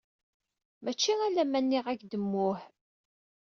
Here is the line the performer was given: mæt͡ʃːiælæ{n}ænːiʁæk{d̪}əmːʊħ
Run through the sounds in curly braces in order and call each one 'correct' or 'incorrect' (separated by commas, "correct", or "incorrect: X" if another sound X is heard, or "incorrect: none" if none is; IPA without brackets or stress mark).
incorrect: m, correct